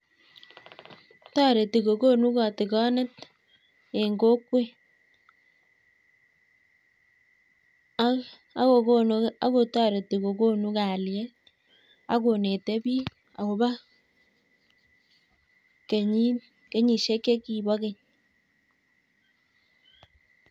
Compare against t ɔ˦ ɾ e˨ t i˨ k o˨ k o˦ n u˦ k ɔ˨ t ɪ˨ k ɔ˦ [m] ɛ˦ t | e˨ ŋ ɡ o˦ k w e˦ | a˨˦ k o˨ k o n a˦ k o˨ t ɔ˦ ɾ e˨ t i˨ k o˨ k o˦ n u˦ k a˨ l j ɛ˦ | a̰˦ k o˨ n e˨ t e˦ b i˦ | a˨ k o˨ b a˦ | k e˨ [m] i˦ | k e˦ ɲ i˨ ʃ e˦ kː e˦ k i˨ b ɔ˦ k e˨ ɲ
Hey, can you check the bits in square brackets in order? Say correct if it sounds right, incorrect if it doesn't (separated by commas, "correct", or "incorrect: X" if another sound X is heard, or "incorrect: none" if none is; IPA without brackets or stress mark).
incorrect: n, incorrect: ɲ